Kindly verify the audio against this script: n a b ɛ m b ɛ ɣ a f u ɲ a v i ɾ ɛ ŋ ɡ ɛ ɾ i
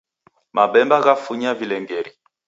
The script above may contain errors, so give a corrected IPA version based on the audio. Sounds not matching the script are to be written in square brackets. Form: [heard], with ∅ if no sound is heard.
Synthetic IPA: [m] a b ɛ m b [a] ɣ a f u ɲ a v i [l] ɛ ŋ ɡ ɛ ɾ i